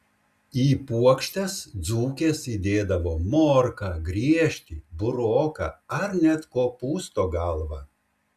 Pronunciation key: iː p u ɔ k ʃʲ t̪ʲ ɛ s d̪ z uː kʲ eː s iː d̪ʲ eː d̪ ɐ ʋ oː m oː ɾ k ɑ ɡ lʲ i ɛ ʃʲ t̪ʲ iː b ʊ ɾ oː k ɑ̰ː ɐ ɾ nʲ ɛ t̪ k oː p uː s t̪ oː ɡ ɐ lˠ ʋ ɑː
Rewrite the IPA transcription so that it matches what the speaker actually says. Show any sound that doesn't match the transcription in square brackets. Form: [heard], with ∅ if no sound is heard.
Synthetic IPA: iː p u ɔ k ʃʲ t̪ʲ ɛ s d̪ z uː kʲ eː s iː d̪ʲ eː d̪ ɐ ʋ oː m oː ɾ k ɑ ɡ [ɾʲ] i ɛ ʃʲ t̪ʲ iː b ʊ ɾ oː k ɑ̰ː ɐ ɾ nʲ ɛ t̪ k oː p uː s t̪ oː ɡ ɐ lˠ ʋ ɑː